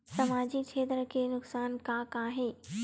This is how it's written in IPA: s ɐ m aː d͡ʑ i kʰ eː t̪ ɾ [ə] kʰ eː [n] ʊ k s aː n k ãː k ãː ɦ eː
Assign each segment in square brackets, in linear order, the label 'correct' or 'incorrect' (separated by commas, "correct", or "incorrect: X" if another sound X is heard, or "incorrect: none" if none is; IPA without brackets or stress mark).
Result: correct, correct